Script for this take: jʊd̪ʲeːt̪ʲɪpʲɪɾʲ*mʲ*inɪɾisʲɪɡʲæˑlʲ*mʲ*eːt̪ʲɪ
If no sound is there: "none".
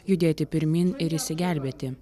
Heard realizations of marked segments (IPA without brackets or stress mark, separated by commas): mʲ, bʲ